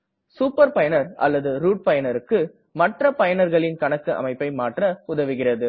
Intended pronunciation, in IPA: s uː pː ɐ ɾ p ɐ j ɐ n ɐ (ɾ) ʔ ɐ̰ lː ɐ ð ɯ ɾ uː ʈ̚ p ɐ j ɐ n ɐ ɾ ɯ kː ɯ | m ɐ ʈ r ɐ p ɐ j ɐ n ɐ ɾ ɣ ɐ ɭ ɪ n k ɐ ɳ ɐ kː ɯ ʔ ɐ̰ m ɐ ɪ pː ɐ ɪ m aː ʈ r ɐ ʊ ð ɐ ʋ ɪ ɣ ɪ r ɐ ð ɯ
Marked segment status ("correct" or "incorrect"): correct